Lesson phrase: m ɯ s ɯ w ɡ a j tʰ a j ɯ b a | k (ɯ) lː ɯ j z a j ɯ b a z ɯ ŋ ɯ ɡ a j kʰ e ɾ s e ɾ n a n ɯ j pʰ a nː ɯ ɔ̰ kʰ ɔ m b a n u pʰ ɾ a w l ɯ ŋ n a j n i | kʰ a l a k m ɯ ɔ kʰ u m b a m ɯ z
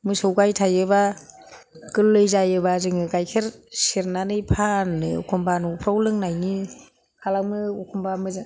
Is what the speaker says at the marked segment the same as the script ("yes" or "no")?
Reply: yes